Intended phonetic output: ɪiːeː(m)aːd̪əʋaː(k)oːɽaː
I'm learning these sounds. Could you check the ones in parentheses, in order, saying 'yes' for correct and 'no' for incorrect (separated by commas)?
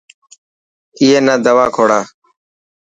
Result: no, no